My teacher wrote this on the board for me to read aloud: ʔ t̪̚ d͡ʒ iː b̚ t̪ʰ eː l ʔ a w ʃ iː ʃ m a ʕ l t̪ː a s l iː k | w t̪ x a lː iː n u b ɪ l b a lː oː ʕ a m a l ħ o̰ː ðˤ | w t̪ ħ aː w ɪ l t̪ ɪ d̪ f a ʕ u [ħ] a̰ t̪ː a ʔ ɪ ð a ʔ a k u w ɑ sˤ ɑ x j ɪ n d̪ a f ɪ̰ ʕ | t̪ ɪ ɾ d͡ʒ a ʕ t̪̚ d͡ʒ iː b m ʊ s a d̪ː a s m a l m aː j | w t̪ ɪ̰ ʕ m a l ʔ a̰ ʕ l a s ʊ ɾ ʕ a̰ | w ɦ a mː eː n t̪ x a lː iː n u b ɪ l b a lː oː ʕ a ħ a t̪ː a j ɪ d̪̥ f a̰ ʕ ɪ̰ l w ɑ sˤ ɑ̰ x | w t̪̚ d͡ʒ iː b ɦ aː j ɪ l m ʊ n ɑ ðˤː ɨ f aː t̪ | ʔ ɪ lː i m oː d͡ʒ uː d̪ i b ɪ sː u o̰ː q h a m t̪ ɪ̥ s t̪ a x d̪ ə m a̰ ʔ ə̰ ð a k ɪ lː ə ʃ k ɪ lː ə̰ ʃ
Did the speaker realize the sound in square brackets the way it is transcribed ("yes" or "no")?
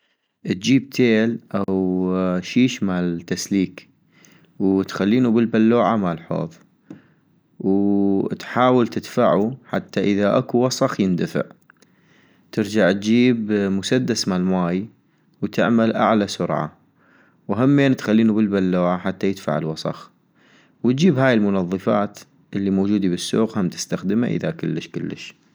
yes